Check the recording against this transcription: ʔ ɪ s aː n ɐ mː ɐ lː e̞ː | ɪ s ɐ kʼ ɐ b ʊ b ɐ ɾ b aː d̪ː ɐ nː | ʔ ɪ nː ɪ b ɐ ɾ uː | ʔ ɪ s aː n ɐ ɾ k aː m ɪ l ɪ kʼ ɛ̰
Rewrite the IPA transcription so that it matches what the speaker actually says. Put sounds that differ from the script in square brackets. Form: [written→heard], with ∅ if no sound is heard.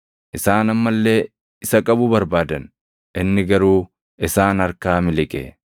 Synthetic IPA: ʔ ɪ s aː n ɐ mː ɐ lː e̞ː | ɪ s ɐ kʼ ɐ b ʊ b ɐ ɾ b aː [d̪ː→d̪] ɐ [nː→n] | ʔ ɪ nː ɪ [b→ɡ] ɐ ɾ uː | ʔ ɪ s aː n ɐ ɾ k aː m ɪ l ɪ kʼ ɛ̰